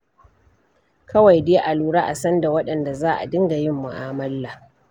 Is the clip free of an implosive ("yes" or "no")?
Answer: no